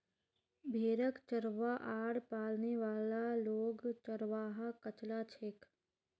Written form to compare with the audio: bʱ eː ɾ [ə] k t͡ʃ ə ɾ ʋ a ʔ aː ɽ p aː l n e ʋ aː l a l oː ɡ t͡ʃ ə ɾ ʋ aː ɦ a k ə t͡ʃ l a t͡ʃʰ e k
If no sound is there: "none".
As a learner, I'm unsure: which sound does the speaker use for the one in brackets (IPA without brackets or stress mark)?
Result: ə